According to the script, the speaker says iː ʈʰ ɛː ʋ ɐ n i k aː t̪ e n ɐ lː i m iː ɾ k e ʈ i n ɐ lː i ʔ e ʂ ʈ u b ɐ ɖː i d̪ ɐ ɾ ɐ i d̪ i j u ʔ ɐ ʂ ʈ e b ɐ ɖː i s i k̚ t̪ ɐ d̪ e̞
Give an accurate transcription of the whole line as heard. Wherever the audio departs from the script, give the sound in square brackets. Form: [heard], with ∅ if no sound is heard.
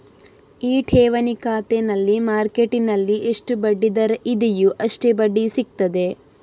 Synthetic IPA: iː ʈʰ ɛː ʋ ɐ n i k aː t̪ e n ɐ lː i m [aː] ɾ k e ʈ i n ɐ lː i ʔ e ʂ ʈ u b ɐ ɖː i d̪ ɐ ɾ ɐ i d̪ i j u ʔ ɐ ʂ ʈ e b ɐ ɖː i s i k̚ t̪ ɐ d̪ e̞